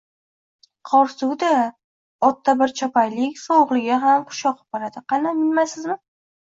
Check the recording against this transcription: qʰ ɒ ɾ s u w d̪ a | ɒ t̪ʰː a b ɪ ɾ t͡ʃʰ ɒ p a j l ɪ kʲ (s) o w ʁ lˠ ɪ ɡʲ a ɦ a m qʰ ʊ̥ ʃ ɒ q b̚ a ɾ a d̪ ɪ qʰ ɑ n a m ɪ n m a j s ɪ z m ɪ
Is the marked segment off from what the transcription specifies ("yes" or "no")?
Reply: no